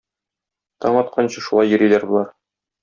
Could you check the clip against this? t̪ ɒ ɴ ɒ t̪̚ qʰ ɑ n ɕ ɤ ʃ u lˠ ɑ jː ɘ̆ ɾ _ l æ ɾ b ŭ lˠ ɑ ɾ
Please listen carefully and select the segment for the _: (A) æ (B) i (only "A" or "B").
B